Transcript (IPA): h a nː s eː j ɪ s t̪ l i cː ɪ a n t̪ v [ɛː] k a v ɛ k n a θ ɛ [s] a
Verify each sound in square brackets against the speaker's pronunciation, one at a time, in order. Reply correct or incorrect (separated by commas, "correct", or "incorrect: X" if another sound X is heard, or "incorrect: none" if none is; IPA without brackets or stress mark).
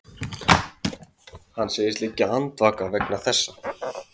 incorrect: aː, incorrect: sː